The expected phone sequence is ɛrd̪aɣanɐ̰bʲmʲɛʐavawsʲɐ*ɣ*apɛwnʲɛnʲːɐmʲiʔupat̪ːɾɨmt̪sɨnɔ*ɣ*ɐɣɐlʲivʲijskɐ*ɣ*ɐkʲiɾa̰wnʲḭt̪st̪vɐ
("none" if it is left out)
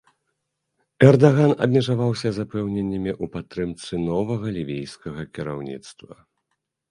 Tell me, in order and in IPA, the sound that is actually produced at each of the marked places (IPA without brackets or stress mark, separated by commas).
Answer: z, v, ɣ